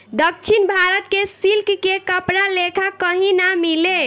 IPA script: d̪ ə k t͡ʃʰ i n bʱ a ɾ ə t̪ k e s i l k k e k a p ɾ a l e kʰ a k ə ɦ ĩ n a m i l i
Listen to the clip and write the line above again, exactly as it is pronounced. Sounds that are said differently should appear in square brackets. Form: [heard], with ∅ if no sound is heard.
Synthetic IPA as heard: d̪ ə k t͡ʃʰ i n bʱ a ɾ ə t̪ k e s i l k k e k [ə] p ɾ a l e kʰ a k ə ɦ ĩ n a m i l [e]